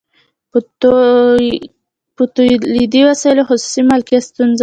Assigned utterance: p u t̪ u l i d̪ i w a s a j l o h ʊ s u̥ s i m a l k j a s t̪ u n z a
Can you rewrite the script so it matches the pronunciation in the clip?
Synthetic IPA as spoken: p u t̪ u l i d̪ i w a s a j l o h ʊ s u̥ s i m a l k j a s t̪ u n z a

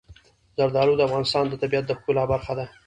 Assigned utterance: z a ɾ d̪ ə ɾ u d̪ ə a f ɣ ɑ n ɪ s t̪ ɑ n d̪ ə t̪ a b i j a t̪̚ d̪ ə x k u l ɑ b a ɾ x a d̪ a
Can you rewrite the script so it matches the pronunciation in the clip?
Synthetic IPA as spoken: z a ɾ d̪ ɑ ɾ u d̪ ə a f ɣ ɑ n ɪ s t̪ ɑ n d̪ ə t̪ a b i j a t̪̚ d̪ ə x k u l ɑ b a ɾ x a d̪ a

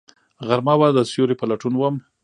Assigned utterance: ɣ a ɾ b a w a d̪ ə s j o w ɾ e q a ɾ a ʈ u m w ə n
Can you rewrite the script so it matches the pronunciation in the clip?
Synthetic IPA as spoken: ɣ a ɾ m a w a d̪ ə s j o ɾ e p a l a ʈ u n w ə m

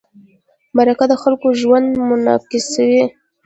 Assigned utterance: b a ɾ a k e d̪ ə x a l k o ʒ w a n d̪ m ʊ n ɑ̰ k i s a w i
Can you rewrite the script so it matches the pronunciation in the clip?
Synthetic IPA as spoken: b a ɾ a k a d̪ ə x a l k o ʒ w a n d̪ m ʊ n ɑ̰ k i s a w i

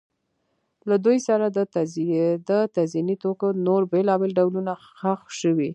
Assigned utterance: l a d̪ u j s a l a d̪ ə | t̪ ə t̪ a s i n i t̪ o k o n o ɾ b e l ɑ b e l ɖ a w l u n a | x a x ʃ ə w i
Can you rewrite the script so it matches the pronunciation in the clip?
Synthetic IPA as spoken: l a d̪ u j s a ɾ a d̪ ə | d̪ ə t̪ a z i n i t̪ o k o n o ɾ b e l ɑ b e l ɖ a w l u n a | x a x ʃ ə w i

